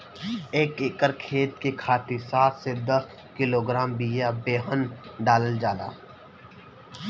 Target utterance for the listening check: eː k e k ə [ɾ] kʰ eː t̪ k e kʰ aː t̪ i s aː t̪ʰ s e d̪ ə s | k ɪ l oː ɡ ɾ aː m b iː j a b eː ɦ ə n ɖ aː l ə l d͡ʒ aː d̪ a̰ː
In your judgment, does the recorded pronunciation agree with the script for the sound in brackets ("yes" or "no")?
yes